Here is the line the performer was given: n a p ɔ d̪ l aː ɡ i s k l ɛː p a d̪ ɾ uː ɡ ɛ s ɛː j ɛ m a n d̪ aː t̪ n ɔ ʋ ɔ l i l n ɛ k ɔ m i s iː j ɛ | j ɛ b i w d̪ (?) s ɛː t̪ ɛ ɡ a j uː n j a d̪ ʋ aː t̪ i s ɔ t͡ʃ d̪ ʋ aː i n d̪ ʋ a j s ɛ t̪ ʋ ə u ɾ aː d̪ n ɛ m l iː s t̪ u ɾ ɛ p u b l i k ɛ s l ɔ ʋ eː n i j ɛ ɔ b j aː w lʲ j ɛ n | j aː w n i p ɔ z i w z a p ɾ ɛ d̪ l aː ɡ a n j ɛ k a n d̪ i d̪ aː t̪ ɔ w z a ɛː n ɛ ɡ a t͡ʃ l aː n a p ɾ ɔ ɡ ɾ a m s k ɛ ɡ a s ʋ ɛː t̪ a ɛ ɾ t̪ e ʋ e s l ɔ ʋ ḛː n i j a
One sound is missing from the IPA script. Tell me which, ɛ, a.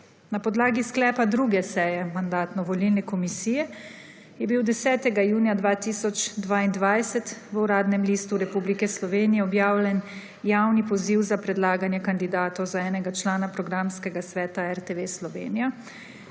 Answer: ɛ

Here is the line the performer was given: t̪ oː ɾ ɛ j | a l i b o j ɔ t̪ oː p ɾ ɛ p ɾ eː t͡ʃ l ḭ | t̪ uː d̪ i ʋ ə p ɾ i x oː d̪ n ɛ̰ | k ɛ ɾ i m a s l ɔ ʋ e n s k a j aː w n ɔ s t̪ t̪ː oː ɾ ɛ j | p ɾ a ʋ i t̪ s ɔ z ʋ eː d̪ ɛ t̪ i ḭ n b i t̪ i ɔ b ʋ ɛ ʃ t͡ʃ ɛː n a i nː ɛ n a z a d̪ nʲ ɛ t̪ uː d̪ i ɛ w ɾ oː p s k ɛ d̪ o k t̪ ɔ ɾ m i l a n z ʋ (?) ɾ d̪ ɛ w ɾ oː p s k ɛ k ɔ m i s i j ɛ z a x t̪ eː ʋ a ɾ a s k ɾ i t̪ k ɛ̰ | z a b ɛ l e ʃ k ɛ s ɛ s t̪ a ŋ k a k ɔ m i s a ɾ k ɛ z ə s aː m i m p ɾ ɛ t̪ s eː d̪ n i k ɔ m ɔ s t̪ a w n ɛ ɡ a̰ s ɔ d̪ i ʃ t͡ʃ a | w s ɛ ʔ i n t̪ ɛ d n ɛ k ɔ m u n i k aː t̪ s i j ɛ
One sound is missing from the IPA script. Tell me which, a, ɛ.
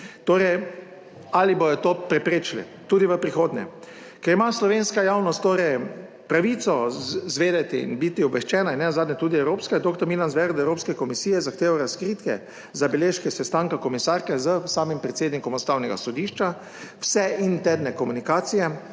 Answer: ɛ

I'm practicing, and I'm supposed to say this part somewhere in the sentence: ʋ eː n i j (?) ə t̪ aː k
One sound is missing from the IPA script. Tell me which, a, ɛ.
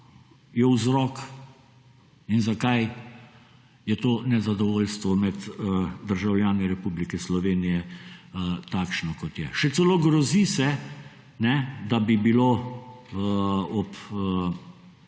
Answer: ɛ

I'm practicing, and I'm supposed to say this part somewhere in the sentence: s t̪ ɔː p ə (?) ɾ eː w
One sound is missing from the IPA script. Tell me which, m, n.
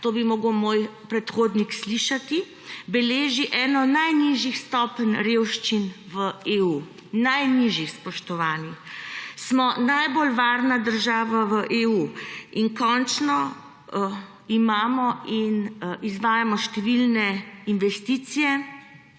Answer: n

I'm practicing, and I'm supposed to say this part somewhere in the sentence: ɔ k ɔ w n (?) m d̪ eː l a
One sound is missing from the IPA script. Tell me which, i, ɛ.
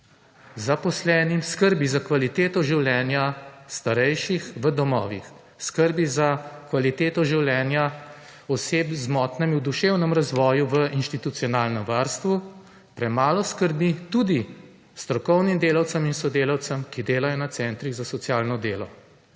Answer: i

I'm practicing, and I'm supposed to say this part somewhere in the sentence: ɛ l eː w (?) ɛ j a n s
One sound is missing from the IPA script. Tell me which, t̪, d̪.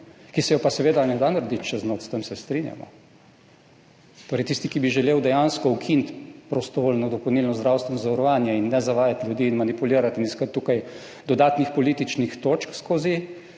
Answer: d̪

